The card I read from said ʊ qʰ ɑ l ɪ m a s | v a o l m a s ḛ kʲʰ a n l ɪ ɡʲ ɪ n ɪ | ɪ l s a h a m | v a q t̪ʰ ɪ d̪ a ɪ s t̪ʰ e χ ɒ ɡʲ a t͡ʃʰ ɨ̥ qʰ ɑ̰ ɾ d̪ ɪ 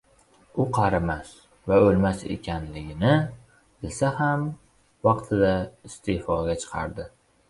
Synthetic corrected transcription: ʊ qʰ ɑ ɾ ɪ m a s | v a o l m a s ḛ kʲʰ a n l ɪ ɡʲ ɪ n ɪ | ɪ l s a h a m | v ɑ q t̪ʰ ɪ d̪ a ɪ s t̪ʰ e f ɒ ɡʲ a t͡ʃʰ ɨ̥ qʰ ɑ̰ ɾ d̪ ɪ

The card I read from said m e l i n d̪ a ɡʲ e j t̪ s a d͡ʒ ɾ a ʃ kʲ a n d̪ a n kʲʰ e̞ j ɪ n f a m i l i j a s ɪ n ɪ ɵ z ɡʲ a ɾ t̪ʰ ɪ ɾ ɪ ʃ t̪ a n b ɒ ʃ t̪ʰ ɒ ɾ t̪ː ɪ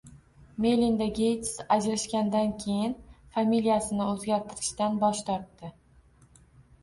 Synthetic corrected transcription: m e l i n d̪ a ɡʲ e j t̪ s a d͡ʒ ɾ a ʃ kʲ a n d̪ a n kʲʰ e̞ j ɪ n f a m i l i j a s ɪ n ɪ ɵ z ɡʲ a ɾ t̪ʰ ɪ ɾ ɪ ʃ t̪ a n b ɒ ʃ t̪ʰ ɒ ɾ t̪ː ɪ

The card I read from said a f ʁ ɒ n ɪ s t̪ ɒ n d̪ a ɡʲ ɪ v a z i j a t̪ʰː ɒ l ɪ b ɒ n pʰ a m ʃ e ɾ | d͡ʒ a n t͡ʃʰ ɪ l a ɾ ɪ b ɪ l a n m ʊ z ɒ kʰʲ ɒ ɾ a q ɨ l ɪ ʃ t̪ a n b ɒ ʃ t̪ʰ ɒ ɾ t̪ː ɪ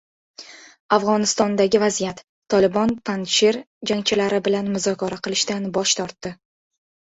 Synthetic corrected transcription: a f ʁ ɒ n ɪ s t̪ ɒ n d̪ a ɡʲ ɪ v a z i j a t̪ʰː ɒ l ɪ b ɒ n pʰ a n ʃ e ɾ | d͡ʒ a ŋ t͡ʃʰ ɪ l a ɾ ɪ b ɪ l a n m ʊ z ɒ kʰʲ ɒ ɾ a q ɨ l ɪ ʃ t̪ a n b ɒ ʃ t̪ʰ ɒ ɾ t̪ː ɪ

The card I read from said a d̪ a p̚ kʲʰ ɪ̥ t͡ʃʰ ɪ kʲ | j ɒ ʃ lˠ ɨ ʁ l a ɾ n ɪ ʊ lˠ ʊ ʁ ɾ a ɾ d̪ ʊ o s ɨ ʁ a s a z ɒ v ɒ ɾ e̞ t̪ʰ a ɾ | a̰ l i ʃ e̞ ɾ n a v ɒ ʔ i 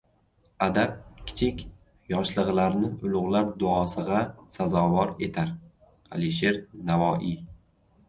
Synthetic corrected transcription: a d̪ a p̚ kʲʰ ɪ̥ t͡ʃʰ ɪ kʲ | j ɒ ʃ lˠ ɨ ʁ l a ɾ n ɪ ʊ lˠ ʊ ʁ l a ɾ d̪ ʊ ɒ s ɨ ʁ a s a z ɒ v ɒ ɾ e̞ t̪ʰ a ɾ | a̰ l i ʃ e̞ ɾ n a v ɒ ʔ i

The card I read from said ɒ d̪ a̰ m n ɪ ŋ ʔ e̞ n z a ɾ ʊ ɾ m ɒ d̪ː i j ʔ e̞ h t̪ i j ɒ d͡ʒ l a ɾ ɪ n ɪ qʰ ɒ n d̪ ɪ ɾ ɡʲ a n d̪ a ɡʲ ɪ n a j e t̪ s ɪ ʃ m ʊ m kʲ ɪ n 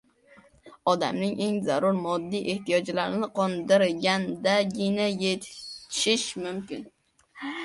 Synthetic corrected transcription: ɒ d̪ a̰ m n ɪ ŋ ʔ e̞ ŋ z a ɾ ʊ ɾ m ɒ d̪ː i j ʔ e̞ h t̪ i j ɒ d͡ʒ l a ɾ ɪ n ɪ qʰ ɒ n d̪ ɪ ɾ ɡʲ a n d̪ a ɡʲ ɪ n a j e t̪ ʃ ɪ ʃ m ʊ m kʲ ɪ n

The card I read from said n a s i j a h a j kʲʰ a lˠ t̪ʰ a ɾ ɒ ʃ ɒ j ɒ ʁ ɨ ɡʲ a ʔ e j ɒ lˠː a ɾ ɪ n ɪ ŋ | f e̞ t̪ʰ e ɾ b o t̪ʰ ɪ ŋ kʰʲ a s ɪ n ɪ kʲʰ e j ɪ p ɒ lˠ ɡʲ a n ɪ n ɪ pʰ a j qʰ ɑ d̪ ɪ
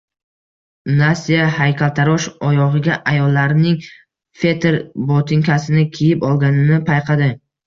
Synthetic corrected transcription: n a s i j a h a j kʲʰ a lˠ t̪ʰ a ɾ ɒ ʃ ɒ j ɒ ʁ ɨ ɡʲ a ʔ a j ɒ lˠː a ɾ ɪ n ɪ ŋ | f e̞ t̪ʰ e ɾ b o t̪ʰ ɪ ŋ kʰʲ a s ɪ n ɪ kʲʰ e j ɪ p ɒ lˠ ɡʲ a n ɪ n ɪ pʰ a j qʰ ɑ d̪ ɪ

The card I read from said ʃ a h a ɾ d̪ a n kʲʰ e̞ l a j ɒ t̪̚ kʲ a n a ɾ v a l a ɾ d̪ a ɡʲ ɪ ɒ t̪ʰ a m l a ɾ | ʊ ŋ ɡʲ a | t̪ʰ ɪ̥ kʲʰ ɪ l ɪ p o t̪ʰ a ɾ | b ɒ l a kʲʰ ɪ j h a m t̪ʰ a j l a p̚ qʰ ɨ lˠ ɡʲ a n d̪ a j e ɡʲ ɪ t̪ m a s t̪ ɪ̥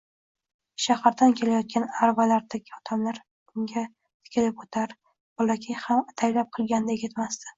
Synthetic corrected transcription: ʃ a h a ɾ d̪ a n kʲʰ e̞ l a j ɒ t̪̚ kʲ a n a ɾ v a l a ɾ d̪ a ɡʲ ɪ ɒ t̪ʰ a m l a ɾ | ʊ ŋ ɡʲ a | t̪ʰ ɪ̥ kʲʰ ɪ l ɪ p o t̪ʰ a ɾ | b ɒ l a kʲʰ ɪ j h a m t̪ʰ a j l a p̚ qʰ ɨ lˠ ɡʲ a n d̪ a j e ɡʲ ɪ t̪ m a s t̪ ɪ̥

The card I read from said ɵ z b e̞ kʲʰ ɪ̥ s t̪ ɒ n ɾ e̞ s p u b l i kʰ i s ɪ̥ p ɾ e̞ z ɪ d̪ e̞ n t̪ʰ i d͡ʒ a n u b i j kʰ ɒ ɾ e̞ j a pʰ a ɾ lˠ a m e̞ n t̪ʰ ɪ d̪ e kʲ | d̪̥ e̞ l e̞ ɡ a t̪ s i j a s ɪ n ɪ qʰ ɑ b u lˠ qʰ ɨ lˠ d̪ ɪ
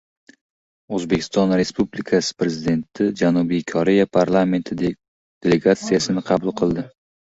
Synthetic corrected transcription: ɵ z b e̞ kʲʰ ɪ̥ s t̪ ɒ n ɾ e̞ s p u b l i kʰ a s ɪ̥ p ɾ e̞ z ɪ d̪ e̞ n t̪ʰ ɪ d͡ʒ a n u b i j kʰ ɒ ɾ e̞ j a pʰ a ɾ lˠ a m e̞ n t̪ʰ ɪ d̪ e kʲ | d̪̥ e̞ l e̞ ɡ a t̪ s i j a s ɪ n ɪ qʰ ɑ b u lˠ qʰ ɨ lˠ d̪ ɪ

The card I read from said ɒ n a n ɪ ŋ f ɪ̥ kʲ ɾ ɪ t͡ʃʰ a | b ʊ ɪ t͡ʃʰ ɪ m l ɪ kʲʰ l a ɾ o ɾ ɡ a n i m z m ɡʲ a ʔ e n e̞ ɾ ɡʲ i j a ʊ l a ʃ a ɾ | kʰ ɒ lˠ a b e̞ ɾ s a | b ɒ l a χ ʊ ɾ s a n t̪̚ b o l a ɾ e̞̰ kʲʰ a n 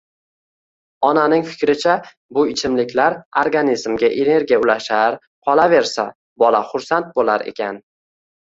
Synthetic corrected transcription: ɒ n a n ɪ ŋ f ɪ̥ kʲ ɾ ɪ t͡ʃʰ a | b ʊ ɪ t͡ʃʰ ɪ m l ɪ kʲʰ l a ɾ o ɾ ɡ a n i z m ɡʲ a ʔ e n e̞ ɾ ɡʲ i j a ʊ l a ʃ a ɾ | qʰ ɒ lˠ a v e̞ ɾ s a | b ɒ l a χ ʊ ɾ s a n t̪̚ b o l a ɾ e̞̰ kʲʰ a n

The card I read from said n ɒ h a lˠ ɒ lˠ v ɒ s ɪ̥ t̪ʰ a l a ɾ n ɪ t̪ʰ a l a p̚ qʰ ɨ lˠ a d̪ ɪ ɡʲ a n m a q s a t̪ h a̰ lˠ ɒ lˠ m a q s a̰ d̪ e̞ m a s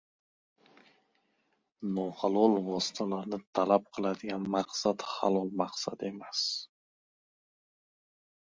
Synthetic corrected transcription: n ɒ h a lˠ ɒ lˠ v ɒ s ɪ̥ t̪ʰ a l a ɾ n ɪ t̪ʰ a l a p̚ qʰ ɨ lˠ a d̪ ɪ ɡʲ a n m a q s a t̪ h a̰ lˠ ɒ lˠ m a q s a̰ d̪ e̞ m a s

